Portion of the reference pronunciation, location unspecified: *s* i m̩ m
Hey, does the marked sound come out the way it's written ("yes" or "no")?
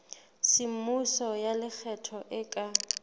yes